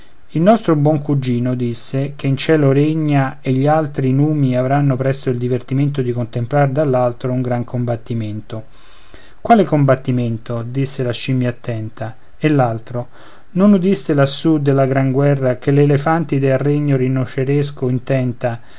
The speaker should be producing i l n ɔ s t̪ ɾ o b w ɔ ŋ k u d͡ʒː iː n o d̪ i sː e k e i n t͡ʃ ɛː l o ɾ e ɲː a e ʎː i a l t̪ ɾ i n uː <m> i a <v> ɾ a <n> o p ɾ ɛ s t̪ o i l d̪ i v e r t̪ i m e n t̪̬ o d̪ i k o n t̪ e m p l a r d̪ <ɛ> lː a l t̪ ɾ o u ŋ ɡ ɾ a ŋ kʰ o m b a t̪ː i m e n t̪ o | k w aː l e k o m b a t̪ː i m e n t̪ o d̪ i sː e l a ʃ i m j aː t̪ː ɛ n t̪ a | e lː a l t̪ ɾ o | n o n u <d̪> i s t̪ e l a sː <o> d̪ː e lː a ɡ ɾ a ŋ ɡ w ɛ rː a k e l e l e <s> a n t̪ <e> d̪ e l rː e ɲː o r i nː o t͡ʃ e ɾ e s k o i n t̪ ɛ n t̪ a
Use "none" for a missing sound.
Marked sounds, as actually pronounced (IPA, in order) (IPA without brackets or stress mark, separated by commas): m, v, nː, a, d̪, u, f, i